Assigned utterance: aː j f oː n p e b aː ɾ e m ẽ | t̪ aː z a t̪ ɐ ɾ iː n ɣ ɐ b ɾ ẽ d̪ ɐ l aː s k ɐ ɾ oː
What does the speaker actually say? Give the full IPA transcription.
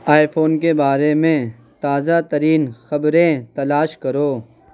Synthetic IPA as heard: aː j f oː n k e b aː ɾ e m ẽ | t̪ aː z a t̪ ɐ ɾ iː n x ɐ b ɾ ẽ t̪ ɐ l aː ʃ k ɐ ɾ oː